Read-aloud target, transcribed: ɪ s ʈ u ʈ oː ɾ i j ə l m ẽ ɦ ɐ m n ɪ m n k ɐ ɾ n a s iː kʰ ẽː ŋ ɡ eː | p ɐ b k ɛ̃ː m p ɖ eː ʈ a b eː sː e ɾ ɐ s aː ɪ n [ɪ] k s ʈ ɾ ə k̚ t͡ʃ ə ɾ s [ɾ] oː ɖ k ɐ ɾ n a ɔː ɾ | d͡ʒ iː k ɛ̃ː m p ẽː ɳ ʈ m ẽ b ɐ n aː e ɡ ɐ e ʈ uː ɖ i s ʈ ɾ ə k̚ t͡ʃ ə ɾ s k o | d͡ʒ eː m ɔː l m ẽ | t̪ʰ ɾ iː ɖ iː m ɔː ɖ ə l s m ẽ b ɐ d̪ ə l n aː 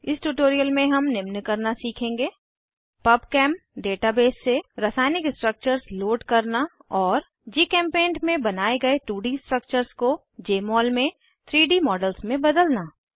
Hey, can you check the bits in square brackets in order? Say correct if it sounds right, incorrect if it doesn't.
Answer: correct, incorrect: l

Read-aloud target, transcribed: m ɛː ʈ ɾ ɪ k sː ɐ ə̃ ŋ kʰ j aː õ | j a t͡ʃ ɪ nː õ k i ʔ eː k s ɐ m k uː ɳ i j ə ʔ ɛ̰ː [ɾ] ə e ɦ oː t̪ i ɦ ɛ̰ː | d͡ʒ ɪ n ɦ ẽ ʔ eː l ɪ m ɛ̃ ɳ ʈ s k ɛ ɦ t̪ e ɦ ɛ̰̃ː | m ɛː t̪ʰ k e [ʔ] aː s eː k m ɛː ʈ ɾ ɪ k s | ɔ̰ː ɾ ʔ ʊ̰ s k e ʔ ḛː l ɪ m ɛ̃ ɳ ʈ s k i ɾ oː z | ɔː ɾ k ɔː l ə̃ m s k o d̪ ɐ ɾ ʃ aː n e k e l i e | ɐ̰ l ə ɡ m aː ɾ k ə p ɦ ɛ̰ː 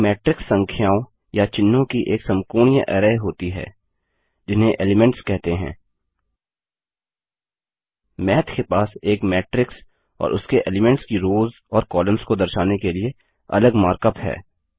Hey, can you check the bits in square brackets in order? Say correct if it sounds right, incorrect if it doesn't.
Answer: correct, incorrect: p

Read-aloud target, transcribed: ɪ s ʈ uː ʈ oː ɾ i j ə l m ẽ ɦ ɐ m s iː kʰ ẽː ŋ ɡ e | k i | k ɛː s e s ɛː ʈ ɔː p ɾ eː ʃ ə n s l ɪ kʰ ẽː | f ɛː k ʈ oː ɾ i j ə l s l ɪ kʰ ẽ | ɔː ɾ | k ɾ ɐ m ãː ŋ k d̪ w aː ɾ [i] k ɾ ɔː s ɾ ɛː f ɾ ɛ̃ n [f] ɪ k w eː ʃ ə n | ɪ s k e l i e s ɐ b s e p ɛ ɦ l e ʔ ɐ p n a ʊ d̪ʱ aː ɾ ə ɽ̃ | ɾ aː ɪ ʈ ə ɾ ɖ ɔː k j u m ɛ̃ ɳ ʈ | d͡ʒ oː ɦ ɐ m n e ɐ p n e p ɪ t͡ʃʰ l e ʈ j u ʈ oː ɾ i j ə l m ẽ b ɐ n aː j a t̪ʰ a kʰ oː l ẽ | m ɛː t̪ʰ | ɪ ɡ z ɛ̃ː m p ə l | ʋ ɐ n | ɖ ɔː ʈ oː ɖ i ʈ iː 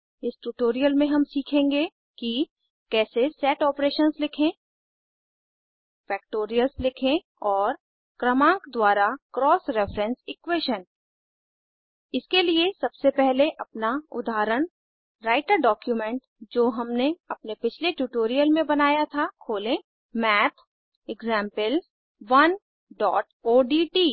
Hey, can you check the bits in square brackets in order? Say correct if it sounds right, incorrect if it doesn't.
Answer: incorrect: a, incorrect: s

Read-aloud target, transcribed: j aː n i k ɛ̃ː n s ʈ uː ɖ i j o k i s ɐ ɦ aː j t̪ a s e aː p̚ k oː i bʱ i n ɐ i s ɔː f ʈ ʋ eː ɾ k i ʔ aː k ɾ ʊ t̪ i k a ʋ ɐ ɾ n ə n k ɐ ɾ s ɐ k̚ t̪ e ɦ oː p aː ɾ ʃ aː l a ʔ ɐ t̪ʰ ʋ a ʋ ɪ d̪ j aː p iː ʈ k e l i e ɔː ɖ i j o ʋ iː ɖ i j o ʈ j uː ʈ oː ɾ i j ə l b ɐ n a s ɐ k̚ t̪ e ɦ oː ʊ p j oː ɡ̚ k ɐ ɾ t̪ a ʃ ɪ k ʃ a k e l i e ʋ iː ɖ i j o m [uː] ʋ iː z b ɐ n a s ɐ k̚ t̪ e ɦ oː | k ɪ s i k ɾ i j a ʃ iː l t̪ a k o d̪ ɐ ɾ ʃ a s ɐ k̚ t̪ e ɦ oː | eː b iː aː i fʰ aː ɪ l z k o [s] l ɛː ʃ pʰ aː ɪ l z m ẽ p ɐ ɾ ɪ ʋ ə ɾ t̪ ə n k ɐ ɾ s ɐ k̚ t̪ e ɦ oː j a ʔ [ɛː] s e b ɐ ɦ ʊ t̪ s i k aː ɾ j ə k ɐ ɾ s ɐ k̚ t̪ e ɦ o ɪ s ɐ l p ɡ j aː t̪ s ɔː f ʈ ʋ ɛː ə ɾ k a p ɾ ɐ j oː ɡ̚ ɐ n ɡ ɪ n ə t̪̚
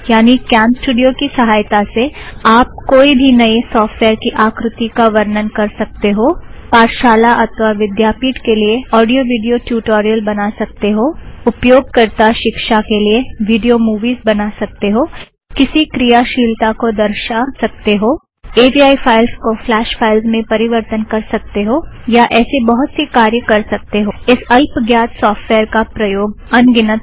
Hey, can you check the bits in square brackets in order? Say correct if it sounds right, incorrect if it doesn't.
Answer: correct, incorrect: f, correct

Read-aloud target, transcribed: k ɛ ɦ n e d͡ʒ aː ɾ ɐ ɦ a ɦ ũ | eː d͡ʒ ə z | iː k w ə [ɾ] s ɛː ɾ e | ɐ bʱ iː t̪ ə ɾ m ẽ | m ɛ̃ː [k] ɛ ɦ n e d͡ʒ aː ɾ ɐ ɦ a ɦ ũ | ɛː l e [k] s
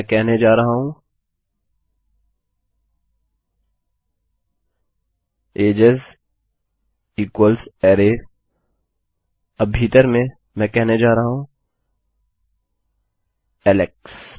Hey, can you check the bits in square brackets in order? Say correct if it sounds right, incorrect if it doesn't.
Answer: incorrect: l, correct, correct

